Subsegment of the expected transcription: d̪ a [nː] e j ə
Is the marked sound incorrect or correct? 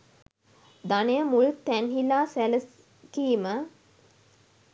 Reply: incorrect